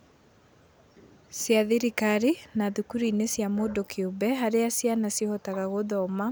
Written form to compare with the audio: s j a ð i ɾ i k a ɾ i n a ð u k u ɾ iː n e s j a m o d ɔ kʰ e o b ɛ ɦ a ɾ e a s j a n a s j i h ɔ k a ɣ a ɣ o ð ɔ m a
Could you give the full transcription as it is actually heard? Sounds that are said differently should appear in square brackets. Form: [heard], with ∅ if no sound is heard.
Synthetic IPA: s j a ð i ɾ i k a ɾ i n a ð u k u ɾ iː n e s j a m o d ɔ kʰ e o b ɛ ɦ a ɾ e a s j a n a s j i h ɔ [t] a ɣ a ɣ o ð ɔ m a